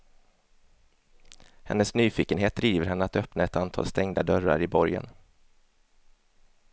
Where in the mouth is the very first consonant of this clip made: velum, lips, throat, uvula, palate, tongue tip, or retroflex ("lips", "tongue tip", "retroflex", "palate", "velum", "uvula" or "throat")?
throat